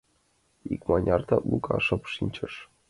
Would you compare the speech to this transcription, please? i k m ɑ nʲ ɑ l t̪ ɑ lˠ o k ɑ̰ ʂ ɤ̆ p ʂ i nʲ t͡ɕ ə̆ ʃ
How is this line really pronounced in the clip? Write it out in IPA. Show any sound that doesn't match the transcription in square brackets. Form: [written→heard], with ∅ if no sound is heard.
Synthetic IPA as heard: i k m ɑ nʲ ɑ [l→r] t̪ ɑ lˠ [o→u] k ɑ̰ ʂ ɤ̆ p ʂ i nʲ t͡ɕ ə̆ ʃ